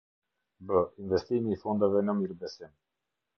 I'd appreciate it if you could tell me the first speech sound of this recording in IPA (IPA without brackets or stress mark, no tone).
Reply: b